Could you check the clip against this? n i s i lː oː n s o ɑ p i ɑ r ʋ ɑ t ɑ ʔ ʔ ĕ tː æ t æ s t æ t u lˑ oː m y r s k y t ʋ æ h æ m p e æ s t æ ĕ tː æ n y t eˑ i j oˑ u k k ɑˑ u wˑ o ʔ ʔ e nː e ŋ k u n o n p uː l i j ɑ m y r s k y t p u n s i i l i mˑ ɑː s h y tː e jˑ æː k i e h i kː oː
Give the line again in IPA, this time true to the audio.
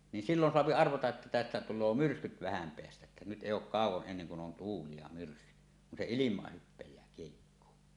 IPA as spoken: n i s i lː o n s o ɑ p i ɑ r ʋ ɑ t ɑ ʔ ʔ ĕ tː æ t æ s t æ t u lˑ oː m y r s k y t ʋ æ h æ m p e æ s t æ ĕ tː æ n y t eˑ i j oˑ u k k ɑˑ u wˑ o ʔ ʔ e nː e ŋ k u n o n t uː l i j ɑ m y r s k y t k u n s e i l i mˑ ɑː h h y pː e jˑ æː k i e h i kː oː